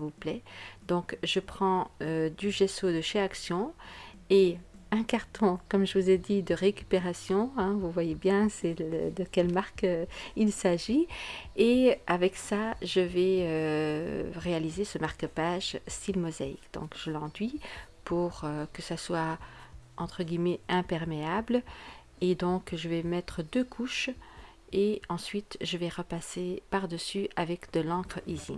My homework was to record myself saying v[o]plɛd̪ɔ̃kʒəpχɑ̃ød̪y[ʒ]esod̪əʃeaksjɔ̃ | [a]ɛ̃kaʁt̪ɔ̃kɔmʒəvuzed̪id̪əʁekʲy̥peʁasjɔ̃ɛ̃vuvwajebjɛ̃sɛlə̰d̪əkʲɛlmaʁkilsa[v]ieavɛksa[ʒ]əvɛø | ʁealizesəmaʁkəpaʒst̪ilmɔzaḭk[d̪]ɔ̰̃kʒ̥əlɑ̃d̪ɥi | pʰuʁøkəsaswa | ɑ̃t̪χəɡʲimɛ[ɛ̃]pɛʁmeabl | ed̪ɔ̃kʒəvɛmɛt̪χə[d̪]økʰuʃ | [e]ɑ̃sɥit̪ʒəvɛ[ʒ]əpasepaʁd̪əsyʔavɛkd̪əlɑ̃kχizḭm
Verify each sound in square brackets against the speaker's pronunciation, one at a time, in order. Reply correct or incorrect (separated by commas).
incorrect, correct, incorrect, incorrect, correct, correct, correct, correct, correct, incorrect